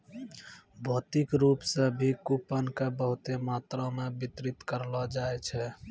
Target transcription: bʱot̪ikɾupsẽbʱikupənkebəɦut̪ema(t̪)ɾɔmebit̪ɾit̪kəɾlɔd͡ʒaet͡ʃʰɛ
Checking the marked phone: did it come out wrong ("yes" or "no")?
no